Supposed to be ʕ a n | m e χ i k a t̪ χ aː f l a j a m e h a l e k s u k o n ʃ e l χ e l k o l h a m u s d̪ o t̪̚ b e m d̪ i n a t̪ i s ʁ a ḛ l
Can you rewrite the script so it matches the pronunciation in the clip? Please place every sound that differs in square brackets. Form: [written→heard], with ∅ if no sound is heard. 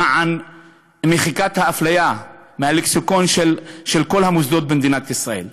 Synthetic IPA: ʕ a n | m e χ i k a t̪ [χ→h] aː f l a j a m e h a l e k s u k o n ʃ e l [χ→ʃ] e l k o l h a m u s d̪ o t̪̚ b e m d̪ i n a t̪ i s ʁ a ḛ l